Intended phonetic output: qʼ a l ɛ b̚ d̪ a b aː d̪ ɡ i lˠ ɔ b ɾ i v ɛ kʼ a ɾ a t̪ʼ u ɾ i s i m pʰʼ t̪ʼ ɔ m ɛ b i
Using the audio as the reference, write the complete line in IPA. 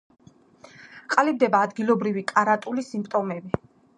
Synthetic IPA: qʼ a l i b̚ d̪ ɛ b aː d̪ ɡ i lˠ ɔ b ɾ i v i kʼ a ɾ a t̪ʼ u l i s i m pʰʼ t̪ʼ ɔ m ɛ b i